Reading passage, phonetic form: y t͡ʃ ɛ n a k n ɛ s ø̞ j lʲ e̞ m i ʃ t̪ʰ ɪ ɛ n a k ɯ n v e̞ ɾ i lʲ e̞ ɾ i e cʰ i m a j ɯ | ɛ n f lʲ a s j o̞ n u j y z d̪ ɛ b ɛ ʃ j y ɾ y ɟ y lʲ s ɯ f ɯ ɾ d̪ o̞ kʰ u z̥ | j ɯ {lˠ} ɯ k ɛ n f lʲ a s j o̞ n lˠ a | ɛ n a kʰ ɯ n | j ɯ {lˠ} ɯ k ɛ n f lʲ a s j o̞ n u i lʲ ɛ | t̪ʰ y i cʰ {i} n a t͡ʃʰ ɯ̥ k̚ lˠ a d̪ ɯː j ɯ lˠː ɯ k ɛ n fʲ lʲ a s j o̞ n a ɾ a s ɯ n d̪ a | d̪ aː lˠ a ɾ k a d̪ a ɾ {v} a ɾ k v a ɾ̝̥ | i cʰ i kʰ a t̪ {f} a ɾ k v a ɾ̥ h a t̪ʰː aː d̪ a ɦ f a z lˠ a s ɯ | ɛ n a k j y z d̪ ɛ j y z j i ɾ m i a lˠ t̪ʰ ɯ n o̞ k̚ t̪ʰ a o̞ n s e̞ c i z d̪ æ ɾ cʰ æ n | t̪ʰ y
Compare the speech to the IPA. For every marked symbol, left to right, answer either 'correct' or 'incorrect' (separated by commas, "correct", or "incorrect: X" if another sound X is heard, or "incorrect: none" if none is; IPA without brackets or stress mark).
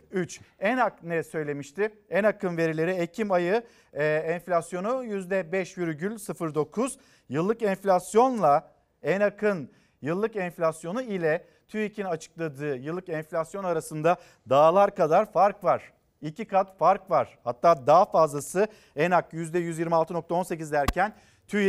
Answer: incorrect: lˠː, incorrect: lˠː, correct, incorrect: f, correct